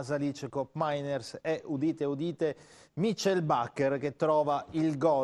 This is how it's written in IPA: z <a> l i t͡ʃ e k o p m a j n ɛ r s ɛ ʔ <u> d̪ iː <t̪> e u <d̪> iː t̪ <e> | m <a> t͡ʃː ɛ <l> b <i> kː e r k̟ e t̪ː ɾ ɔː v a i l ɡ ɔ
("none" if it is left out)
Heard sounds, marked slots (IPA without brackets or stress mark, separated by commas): a, u, t̪, d̪, e, i, l, a